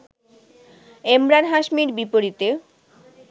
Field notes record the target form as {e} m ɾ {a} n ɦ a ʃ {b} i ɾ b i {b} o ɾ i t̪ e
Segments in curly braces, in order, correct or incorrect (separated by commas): correct, correct, incorrect, incorrect